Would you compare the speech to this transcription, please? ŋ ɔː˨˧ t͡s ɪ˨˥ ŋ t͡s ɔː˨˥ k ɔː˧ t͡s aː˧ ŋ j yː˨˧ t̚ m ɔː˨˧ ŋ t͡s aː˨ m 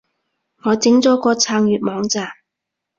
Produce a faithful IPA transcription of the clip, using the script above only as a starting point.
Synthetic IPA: ŋ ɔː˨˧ t͡s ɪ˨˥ ŋ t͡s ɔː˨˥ k ɔː˧ t͡sʰ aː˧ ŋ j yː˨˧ t̚ m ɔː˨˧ ŋ t͡s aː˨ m

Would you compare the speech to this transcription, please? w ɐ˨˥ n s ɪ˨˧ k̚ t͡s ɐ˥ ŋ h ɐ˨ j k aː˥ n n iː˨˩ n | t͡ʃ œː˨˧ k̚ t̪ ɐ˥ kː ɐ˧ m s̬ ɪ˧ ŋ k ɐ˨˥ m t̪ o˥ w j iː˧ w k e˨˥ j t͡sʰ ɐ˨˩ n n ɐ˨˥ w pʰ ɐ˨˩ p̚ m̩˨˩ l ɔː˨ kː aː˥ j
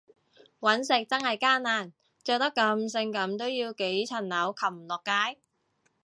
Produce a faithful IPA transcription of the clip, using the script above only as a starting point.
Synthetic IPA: w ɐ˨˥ n s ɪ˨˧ k̚ t͡s ɐ˥ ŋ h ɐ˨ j k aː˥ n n aː˨˩ n | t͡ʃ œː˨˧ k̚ t̪ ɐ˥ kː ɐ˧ m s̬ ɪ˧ ŋ k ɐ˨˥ m t̪ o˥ w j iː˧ w k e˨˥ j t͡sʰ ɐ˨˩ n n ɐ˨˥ w kʰ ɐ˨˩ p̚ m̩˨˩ l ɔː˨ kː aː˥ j

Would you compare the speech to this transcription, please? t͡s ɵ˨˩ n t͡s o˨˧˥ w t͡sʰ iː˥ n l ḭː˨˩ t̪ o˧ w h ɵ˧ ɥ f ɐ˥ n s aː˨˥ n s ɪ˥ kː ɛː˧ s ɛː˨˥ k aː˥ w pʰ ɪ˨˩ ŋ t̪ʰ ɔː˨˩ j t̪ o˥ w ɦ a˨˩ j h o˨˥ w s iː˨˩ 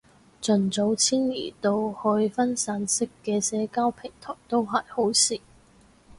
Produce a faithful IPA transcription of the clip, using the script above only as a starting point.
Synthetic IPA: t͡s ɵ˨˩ n t͡s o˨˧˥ w t͡sʰ iː˥ n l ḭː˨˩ t̪ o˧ w h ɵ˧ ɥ f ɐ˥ n s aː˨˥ n s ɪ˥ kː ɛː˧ s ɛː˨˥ k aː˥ w pʰ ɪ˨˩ ŋ t̪ʰ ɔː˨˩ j t̪ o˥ w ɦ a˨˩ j h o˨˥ w s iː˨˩

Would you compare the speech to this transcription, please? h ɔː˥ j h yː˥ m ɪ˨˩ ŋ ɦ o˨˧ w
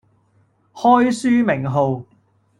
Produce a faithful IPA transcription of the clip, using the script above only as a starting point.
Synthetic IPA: h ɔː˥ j s yː˥ m ɪ˨˩ ŋ ɦ o˨˧ w

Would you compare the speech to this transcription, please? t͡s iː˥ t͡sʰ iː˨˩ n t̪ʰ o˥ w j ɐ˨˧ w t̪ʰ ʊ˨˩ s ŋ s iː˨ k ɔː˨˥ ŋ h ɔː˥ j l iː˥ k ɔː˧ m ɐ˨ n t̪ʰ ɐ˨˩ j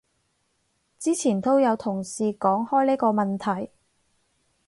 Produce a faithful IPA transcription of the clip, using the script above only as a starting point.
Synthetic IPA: t͡s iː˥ t͡sʰ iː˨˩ n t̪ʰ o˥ w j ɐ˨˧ w t̪ʰ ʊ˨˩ ŋ s iː˨ k ɔː˨˥ ŋ h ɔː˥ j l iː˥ k ɔː˧ m ɐ˨ n t̪ʰ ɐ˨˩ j

